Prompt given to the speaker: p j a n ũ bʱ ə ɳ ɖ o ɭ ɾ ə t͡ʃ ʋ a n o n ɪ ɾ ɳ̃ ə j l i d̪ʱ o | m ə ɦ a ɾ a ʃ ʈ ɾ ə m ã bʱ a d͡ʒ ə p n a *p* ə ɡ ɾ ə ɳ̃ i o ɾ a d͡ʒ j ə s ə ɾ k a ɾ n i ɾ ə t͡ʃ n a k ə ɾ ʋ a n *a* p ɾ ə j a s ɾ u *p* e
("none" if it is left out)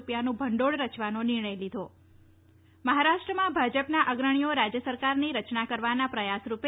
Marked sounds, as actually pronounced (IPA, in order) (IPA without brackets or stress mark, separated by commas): ʔ, a, p